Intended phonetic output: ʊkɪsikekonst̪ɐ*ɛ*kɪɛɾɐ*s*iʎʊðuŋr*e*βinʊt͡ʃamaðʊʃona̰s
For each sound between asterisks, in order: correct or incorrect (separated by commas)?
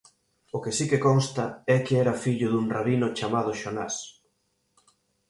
correct, incorrect, incorrect